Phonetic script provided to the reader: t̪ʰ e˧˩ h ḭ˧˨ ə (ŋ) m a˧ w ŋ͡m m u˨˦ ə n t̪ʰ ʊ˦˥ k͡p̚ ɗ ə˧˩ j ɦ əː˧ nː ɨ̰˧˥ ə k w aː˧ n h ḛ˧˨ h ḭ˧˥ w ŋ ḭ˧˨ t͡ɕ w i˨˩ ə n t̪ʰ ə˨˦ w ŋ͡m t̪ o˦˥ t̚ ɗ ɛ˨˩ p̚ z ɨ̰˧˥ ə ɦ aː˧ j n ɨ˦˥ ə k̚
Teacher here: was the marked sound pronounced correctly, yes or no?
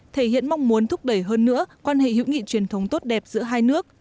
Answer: no